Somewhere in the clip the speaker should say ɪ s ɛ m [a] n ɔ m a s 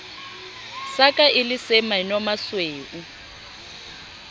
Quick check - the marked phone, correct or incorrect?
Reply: correct